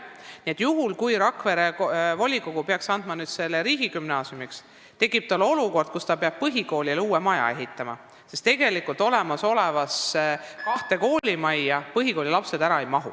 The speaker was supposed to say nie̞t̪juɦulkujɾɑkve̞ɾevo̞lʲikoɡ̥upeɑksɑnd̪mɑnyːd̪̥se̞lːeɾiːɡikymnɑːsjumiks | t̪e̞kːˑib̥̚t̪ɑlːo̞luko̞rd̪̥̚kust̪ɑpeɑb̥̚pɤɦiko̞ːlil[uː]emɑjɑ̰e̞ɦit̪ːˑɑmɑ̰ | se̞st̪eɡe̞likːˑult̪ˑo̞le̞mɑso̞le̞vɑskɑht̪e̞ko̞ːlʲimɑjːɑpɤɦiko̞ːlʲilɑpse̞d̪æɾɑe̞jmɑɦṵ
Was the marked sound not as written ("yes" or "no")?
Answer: no